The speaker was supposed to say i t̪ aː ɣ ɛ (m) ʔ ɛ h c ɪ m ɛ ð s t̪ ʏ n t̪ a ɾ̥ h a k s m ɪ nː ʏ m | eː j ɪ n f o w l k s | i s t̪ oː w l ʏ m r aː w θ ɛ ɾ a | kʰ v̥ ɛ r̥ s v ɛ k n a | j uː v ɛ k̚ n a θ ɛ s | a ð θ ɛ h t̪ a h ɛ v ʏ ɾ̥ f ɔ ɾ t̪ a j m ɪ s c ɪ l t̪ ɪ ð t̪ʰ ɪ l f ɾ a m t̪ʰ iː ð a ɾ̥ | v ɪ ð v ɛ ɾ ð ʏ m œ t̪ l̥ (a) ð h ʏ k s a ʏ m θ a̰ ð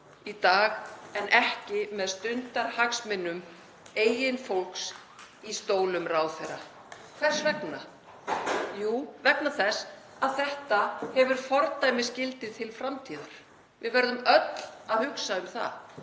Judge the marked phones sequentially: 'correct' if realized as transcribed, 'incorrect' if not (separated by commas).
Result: incorrect, correct